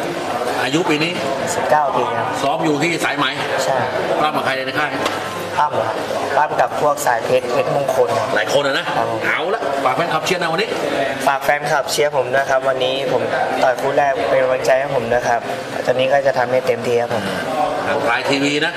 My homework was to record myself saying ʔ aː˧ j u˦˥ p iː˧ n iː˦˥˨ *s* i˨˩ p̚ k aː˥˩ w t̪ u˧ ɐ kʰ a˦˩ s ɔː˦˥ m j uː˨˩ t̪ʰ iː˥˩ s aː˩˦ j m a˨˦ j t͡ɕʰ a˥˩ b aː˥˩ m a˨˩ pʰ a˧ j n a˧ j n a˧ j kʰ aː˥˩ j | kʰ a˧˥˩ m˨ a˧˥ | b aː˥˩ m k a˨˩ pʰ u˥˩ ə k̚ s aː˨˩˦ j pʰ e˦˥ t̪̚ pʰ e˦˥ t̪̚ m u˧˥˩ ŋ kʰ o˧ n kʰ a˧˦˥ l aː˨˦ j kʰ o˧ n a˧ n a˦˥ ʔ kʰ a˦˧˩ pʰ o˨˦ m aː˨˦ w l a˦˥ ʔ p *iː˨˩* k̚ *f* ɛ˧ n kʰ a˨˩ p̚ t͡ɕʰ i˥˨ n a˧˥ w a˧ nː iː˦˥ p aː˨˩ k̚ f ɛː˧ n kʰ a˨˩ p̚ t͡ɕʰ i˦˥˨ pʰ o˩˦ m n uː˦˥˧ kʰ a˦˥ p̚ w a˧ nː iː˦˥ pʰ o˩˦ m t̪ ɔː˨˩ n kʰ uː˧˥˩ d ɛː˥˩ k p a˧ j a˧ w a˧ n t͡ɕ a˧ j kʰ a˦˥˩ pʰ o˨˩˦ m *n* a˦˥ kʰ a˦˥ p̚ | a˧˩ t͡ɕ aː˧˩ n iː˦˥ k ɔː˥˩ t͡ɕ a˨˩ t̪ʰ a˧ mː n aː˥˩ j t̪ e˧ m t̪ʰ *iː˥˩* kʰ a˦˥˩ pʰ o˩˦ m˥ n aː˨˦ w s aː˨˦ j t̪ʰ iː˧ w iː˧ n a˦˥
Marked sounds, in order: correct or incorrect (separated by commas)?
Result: correct, incorrect, correct, correct, incorrect